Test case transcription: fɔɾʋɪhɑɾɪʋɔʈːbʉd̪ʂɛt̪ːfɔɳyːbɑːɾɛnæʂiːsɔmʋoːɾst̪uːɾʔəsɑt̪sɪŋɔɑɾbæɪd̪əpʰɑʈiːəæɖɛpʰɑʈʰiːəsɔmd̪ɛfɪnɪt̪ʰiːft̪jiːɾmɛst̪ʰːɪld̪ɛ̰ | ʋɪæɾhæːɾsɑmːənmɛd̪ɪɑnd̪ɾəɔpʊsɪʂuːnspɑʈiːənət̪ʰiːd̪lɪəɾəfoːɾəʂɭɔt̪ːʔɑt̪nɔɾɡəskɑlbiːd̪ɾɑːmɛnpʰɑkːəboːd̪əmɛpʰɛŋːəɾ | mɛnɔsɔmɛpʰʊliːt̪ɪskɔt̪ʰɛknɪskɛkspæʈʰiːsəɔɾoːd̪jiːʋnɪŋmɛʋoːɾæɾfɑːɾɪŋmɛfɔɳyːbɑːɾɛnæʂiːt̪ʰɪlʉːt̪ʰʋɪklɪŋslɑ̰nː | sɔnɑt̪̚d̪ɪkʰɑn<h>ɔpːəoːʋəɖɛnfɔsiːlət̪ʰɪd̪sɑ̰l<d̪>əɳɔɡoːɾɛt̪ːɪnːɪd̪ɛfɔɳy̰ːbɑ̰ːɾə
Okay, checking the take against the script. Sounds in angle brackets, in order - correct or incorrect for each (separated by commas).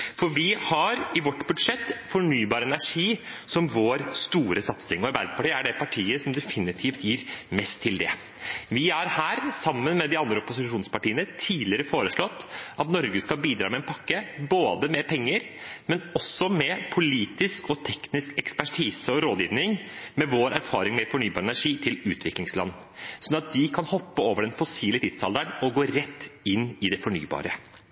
correct, correct